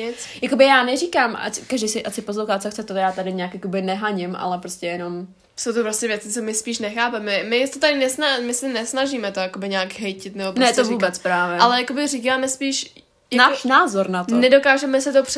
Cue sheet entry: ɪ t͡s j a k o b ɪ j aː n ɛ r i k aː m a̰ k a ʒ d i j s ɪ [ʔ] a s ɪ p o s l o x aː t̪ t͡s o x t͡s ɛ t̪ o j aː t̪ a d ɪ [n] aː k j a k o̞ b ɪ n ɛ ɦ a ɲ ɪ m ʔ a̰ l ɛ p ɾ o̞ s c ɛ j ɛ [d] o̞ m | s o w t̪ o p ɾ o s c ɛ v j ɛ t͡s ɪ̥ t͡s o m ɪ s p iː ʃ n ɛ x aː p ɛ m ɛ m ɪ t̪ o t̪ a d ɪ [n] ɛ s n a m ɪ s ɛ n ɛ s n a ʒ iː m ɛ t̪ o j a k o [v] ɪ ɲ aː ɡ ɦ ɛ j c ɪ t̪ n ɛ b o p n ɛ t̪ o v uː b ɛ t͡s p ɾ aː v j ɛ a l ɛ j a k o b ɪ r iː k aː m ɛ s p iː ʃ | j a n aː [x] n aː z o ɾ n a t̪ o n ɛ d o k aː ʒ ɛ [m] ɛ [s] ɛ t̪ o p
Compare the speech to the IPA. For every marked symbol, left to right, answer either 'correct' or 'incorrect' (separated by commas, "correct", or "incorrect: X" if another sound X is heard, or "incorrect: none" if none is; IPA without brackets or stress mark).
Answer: correct, incorrect: ɲ, incorrect: n, correct, incorrect: b, incorrect: ʃ, correct, correct